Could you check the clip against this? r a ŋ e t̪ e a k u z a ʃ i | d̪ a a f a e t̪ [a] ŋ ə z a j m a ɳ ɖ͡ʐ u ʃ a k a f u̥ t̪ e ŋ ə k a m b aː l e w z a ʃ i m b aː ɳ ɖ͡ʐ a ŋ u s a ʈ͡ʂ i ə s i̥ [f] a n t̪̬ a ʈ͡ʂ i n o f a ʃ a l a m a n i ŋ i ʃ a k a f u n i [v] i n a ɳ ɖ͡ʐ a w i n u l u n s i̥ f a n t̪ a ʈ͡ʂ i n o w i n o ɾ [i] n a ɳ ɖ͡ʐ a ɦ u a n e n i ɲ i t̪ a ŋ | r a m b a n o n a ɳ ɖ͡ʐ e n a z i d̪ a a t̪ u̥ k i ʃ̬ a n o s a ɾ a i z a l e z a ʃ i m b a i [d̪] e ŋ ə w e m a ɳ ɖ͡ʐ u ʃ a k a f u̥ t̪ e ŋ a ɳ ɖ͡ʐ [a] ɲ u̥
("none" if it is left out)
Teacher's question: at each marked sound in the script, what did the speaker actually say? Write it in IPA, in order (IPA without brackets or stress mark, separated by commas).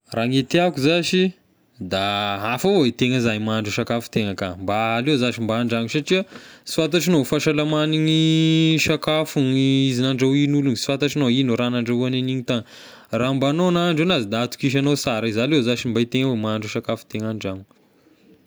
e, f, z, a, t̪, a